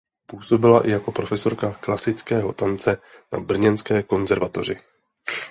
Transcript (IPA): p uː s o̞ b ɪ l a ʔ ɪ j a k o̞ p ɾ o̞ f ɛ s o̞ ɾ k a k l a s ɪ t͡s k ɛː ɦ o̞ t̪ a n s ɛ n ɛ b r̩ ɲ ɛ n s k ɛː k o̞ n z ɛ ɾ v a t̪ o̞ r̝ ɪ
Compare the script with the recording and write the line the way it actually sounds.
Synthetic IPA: p uː s o̞ b ɪ l a ʔ ɪ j a k o̞ p ɾ o̞ f ɛ s o̞ ɾ k a k l a s ɪ t͡s k ɛː ɦ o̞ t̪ a n t͡s ɛ n a b r̩ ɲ ɛ n s k ɛː k o̞ n z ɛ ɾ v a t̪ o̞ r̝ ɪ